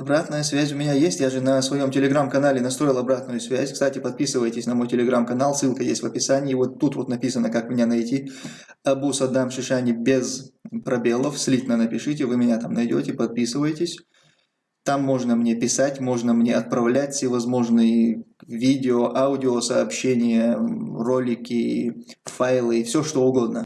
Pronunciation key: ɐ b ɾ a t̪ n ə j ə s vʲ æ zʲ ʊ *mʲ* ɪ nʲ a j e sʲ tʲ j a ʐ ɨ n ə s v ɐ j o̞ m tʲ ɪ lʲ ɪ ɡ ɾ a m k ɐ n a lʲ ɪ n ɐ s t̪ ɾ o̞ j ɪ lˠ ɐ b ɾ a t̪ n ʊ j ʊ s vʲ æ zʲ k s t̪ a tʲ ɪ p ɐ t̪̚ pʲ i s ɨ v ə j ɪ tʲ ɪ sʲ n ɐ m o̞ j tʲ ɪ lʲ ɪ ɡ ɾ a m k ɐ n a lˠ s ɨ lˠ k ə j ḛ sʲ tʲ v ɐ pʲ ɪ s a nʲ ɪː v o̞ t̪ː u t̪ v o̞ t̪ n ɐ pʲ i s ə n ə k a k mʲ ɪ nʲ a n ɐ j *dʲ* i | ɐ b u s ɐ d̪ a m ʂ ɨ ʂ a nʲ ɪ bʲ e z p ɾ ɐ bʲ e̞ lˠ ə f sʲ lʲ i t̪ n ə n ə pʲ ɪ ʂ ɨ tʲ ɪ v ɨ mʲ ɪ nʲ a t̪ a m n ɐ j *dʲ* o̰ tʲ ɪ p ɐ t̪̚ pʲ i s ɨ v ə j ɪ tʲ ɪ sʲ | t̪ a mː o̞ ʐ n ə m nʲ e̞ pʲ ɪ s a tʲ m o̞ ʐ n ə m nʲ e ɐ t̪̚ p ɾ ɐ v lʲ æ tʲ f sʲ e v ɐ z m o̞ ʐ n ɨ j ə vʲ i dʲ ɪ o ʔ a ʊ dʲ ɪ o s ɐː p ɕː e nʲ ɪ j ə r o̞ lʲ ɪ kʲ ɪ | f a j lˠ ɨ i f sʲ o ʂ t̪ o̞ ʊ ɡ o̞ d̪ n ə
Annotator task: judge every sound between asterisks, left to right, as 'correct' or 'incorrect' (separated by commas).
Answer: correct, incorrect, correct